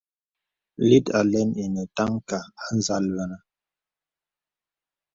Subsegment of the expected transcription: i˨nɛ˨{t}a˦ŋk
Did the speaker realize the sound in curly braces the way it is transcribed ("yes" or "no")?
yes